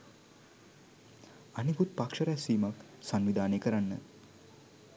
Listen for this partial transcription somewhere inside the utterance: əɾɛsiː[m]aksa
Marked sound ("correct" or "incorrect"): correct